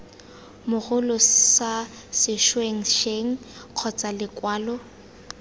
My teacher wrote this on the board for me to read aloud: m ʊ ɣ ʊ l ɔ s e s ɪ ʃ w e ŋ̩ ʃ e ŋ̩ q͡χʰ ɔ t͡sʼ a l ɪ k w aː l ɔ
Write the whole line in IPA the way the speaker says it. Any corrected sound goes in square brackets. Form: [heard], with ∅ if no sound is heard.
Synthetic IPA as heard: m ʊ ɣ ʊ l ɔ s [a] s ɪ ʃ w e ŋ̩ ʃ e ŋ̩ q͡χʰ ɔ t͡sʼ a l ɪ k w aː l ɔ

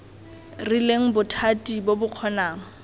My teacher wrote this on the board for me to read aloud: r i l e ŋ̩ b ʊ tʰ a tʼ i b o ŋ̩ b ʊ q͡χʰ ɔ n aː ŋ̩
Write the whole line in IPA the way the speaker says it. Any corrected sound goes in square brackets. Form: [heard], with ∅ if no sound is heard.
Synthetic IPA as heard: r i l e ŋ̩ b ʊ tʰ a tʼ i b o [∅] b ʊ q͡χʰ ɔ n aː ŋ̩

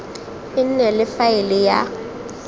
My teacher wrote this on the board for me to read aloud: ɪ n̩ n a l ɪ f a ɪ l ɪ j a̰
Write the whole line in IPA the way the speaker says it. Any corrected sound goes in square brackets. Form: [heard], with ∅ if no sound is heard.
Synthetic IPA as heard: ɪ n̩ n [ɛ] l ɪ f a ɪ l ɪ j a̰

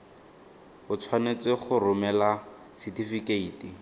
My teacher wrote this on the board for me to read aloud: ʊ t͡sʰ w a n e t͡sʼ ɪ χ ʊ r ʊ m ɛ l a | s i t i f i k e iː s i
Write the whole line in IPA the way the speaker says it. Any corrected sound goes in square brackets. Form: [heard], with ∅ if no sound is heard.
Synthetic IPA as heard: ʊ t͡sʰ w a n e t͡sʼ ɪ χ ʊ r ʊ m ɛ l a | s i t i f i k e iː [t] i

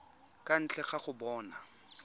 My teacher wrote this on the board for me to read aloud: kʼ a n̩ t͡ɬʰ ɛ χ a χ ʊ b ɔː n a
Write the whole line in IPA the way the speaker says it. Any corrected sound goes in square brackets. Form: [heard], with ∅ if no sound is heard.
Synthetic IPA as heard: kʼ a n̩ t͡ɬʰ ɛ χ a χ ʊ b ɔː n a

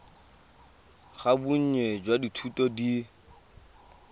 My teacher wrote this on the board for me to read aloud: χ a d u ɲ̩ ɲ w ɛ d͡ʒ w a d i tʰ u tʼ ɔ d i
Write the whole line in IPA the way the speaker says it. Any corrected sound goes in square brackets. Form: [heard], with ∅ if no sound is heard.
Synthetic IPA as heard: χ a [b] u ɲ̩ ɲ w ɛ d͡ʒ w a d i tʰ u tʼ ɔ d i

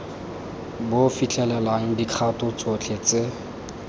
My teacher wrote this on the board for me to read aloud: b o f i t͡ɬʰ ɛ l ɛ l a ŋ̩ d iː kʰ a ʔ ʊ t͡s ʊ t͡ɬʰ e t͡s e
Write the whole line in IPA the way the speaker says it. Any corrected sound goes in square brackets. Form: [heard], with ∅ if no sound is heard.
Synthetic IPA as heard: b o f i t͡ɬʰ ɛ l ɛ l a ŋ̩ d [i] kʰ a [t] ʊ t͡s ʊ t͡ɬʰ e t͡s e

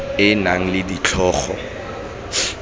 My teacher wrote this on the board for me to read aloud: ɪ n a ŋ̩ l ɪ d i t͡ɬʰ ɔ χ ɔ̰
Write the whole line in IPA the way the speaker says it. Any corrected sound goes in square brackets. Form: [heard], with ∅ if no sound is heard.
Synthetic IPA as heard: ɪ n a ŋ̩ l ɪ d i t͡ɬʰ [ɔː] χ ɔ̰

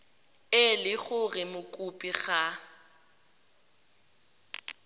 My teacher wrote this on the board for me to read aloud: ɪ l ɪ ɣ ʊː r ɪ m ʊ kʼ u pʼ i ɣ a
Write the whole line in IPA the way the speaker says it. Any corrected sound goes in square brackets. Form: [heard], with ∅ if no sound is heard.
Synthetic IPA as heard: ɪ l ɪ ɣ [ʊ] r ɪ m ʊ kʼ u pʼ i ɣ a

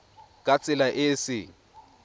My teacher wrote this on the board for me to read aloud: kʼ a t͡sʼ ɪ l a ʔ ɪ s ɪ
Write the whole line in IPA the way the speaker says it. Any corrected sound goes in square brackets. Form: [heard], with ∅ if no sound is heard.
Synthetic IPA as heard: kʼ a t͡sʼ ɪ l a ʔ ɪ s ɪ

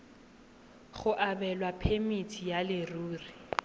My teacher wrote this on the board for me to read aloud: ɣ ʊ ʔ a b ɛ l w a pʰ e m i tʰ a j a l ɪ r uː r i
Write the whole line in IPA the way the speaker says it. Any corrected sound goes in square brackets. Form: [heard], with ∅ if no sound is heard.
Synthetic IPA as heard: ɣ ʊ ʔ a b ɛ l w a pʰ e m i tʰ [i] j a l ɪ r uː r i

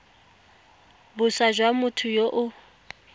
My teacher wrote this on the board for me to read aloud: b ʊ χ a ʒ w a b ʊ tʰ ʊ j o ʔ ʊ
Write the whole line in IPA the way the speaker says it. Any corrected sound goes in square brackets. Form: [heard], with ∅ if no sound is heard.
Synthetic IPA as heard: b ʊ [s] a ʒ w a [m] ʊ tʰ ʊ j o ʔ ʊ

